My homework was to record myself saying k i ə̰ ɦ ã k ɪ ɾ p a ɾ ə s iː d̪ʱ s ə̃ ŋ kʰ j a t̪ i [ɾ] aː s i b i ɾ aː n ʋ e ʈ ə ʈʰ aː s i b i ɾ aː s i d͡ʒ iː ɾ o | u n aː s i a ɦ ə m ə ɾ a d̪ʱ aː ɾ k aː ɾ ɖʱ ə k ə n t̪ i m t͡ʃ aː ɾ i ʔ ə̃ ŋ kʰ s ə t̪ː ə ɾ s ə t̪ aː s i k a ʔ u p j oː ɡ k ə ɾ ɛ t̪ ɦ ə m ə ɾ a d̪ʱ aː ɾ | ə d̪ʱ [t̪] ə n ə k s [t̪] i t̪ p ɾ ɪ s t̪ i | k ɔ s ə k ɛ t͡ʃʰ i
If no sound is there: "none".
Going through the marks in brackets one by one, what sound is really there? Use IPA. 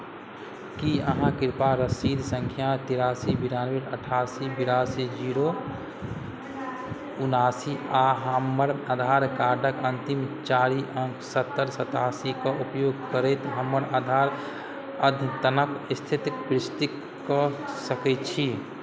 ɾ, t̪, t̪ʰ

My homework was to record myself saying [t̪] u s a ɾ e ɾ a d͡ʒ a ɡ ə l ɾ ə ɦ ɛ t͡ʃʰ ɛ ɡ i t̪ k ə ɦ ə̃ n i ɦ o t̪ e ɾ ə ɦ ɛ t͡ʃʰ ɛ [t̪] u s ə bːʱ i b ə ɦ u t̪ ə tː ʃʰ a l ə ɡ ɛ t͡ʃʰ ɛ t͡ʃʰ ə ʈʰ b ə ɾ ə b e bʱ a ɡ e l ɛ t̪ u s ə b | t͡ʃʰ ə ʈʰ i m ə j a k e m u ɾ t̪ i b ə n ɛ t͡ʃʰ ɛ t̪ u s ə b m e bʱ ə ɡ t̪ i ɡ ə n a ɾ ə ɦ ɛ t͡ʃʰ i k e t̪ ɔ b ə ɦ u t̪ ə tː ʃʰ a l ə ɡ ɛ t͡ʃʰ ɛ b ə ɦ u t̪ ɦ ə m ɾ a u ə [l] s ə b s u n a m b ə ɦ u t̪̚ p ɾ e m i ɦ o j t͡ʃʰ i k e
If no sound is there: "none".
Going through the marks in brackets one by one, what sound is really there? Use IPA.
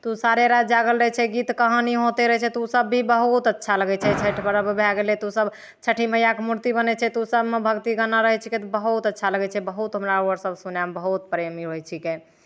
t̪, t̪, ɾ

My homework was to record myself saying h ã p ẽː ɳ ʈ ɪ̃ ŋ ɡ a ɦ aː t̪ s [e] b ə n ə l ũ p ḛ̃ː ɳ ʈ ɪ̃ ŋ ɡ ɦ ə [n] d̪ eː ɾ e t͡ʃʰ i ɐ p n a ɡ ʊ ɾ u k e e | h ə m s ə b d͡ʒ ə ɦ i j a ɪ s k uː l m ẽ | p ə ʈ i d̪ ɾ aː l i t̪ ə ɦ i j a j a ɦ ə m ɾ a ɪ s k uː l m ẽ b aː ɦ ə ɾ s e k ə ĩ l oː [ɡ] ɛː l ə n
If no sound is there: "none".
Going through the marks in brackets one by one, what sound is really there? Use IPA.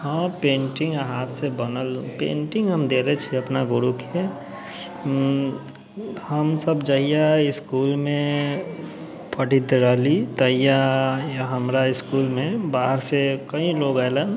e, m, ɡ

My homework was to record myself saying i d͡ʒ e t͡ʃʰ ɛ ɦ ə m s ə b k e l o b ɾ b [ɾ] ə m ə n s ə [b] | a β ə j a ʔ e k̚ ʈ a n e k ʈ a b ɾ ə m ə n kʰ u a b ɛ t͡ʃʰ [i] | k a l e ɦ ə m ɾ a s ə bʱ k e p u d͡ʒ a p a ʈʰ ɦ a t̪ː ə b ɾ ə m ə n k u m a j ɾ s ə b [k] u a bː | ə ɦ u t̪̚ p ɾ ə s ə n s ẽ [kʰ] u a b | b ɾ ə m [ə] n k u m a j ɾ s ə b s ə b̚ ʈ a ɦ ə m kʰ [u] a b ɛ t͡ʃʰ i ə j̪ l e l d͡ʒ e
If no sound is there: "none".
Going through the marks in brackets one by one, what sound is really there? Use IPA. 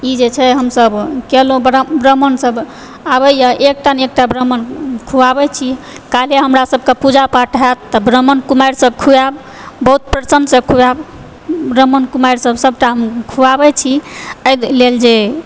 ɾ, b, i, kʰ, kʰ, ə, u

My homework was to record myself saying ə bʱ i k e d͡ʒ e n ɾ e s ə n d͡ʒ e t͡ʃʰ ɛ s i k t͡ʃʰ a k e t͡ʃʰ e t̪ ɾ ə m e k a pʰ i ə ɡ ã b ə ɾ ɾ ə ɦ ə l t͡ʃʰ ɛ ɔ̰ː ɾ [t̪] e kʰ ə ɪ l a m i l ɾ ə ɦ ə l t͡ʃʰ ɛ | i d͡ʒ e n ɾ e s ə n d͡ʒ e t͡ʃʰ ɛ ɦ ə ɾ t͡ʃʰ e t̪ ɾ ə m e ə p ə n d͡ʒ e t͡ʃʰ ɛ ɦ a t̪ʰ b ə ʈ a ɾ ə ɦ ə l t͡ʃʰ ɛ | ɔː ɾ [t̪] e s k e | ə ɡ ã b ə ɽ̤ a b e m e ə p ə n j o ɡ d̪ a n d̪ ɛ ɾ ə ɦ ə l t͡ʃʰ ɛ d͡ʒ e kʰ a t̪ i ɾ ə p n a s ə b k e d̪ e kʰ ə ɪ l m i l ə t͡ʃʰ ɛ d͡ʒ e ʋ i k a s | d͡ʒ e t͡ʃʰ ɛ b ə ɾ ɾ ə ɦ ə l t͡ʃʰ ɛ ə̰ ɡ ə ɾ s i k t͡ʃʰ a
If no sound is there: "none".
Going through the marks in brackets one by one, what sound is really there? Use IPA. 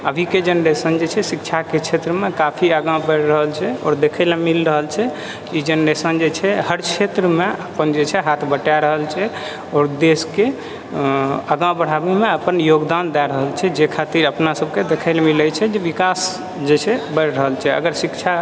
d̪, d̪

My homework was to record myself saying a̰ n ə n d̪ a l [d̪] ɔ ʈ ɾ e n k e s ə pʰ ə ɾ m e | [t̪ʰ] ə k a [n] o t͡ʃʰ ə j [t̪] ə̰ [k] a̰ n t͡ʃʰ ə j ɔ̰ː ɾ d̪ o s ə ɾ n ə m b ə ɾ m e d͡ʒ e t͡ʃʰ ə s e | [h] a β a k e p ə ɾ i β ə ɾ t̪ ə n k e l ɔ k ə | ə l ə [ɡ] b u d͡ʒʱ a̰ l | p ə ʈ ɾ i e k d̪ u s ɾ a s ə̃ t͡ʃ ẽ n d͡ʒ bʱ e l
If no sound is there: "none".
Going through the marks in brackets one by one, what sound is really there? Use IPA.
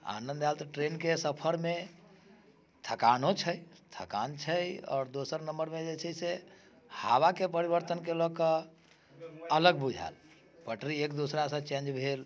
t̪, t̪ʰ, n, t̪ʰ, k, h, ɡ

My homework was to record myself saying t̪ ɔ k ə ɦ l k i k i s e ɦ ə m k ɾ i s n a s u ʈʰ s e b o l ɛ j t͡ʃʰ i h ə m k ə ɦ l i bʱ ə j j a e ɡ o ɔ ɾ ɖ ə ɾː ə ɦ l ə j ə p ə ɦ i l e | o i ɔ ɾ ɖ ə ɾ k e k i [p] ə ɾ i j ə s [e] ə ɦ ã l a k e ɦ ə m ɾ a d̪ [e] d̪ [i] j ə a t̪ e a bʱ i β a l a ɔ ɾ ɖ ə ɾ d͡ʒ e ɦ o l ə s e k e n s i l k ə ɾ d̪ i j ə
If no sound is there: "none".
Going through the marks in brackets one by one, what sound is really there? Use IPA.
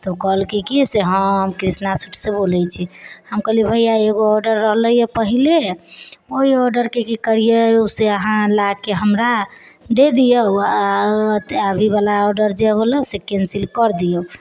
k, e, e, i

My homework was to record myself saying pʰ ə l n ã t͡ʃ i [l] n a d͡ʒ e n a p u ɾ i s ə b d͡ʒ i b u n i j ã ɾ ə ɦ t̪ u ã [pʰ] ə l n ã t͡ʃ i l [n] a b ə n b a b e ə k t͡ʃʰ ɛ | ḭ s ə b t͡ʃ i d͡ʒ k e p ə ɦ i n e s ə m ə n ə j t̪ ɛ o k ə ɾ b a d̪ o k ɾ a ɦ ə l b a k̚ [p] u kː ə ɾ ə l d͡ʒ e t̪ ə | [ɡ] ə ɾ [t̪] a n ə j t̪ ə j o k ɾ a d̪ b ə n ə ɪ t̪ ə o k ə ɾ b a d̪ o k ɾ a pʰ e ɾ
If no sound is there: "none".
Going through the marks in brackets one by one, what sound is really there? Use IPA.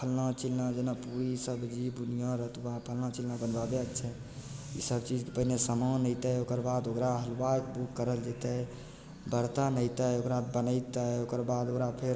l, pʰ, n, b, b, t̪

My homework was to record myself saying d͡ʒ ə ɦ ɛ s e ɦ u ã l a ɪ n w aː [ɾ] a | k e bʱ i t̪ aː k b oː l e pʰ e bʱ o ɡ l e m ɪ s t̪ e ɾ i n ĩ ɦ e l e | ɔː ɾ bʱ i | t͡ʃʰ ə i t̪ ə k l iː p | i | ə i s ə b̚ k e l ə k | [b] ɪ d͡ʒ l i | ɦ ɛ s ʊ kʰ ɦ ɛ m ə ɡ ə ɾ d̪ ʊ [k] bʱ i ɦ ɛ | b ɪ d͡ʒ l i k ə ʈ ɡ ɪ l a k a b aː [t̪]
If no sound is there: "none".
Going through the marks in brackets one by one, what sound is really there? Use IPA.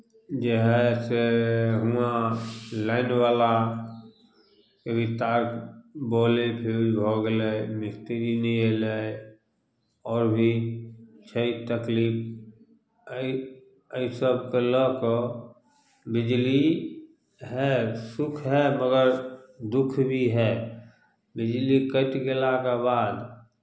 l, b, kʰ, d̪

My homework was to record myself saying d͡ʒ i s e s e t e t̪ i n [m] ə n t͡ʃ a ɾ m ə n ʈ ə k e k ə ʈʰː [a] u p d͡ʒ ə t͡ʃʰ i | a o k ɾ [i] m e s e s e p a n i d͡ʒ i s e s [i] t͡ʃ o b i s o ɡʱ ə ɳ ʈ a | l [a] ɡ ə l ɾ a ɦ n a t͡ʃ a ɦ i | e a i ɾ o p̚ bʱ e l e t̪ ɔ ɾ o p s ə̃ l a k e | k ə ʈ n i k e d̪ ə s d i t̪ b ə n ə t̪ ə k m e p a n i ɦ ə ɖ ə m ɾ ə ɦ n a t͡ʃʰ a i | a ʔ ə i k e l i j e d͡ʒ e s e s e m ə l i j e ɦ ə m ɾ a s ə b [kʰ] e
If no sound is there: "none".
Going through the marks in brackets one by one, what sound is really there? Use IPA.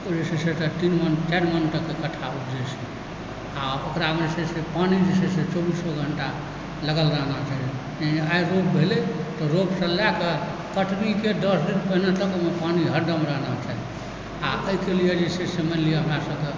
m, a, a, e, ə, k

